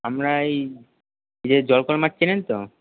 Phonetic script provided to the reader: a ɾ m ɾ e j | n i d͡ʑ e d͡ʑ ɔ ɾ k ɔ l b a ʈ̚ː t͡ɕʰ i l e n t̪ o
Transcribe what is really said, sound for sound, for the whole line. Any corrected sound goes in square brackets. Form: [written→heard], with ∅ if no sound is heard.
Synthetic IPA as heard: a [ɾ→∅] m ɾ [e→a] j | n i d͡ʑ e d͡ʑ ɔ [ɾ→l] k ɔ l [b→m] a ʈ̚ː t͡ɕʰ i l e n t̪ o